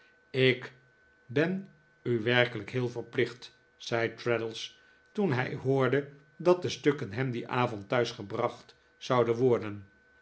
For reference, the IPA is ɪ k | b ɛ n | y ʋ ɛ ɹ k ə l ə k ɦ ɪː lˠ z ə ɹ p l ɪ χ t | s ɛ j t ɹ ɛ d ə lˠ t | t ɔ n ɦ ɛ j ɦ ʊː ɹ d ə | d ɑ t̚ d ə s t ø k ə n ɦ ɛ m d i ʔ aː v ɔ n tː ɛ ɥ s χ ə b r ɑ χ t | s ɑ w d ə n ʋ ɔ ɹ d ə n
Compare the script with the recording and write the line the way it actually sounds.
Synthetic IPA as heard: ɪ k | b ɛ n | y ʋ ɛ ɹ k ə l ə k ɦ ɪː lˠ v ə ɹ p l ɪ χ t | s ɛ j t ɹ ɛ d ə lˠ s | t u n ɦ ɛ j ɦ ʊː ɹ d ə | d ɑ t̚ d ə s t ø k ə n ɦ ɛ m d i ʔ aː v ɔ n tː œ ɥ s χ ə b r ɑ χ t | s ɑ w d ə n ʋ ɔ ɹ d ə n